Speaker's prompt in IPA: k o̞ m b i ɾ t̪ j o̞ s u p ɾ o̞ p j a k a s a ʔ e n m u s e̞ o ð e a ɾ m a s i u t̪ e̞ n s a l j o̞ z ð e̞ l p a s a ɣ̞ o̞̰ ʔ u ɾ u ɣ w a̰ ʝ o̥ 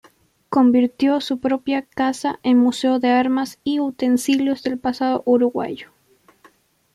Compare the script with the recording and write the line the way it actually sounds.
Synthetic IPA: k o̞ m b i ɾ t̪ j o̞ s u p ɾ o̞ p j a k a s a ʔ e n m u s e̞ o ð e a ɾ m a s i u t̪ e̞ n s i l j o̞ z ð e̞ l p a s a ð̞ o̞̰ ʔ u ɾ u ɣ w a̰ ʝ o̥

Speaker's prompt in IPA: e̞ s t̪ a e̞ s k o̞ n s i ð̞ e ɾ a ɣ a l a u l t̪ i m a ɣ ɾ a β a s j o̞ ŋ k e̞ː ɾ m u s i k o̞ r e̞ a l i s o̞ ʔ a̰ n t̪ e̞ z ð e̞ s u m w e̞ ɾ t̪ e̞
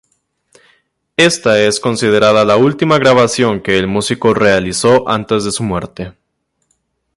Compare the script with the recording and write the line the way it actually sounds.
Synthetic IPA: e̞ s t̪ a e̞ s k o̞ n s i ð̞ e ɾ a ð a l a u l t̪ i m a ɣ ɾ a β a s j o̞ ŋ k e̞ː l m u s i k o̞ r e̞ a l i s o̞ ʔ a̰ n t̪ e̞ z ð e̞ s u m w e̞ ɾ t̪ e̞

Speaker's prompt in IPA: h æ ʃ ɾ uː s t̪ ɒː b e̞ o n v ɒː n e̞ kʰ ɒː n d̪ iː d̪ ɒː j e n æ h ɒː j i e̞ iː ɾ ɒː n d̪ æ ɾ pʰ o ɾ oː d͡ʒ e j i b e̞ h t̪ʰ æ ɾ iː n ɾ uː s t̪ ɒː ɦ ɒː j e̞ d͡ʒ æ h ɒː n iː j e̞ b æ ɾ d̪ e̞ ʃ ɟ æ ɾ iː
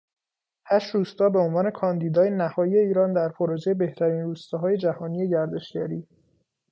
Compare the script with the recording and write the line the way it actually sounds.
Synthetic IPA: h æ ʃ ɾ uː s t̪ ɒː b e̞ o n v ɒː n e̞ kʰ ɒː n d̪ iː d̪ ɒː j e n æ h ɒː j i e̞ iː ɾ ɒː n d̪ æ ɾ pʰ o ɾ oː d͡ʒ e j e b e̞ h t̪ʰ æ ɾ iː n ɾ uː s t̪ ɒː ɦ ɒː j e̞ d͡ʒ æ h ɒː n i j e̞ ɟ æ ɾ d̪ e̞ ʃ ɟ æ ɾ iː

